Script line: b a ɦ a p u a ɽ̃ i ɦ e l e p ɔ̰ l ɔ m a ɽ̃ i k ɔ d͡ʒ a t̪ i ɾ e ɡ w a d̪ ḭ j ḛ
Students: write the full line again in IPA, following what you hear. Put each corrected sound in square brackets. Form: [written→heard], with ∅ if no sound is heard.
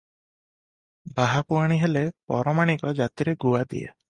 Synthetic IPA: b a ɦ a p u a ɽ̃ i ɦ e l e p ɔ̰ [l→ɾ] ɔ m a ɽ̃ i k ɔ d͡ʒ a t̪ i ɾ e ɡ [w→u] a d̪ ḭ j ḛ